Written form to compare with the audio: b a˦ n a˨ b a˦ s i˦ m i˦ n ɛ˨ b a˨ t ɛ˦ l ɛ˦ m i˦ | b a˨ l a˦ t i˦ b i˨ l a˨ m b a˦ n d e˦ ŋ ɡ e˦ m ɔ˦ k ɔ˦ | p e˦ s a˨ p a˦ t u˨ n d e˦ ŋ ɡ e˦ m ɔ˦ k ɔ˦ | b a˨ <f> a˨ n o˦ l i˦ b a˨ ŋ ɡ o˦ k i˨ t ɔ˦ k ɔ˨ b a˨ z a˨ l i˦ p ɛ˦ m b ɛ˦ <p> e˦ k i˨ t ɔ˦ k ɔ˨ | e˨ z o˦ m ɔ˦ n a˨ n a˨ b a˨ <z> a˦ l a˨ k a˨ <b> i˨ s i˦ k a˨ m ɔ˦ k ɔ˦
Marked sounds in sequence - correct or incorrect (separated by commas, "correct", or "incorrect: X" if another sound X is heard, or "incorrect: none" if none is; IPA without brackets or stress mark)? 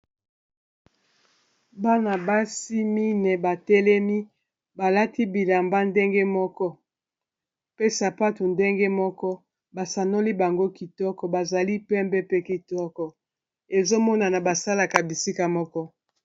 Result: incorrect: s, correct, incorrect: s, correct